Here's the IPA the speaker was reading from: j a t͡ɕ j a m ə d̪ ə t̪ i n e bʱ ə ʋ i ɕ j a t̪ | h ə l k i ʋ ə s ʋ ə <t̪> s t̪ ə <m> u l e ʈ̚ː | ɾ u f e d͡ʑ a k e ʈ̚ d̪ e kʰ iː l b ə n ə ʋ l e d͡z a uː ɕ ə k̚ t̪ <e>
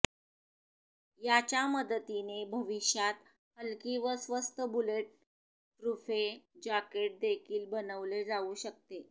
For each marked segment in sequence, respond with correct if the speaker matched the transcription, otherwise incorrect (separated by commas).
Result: incorrect, incorrect, correct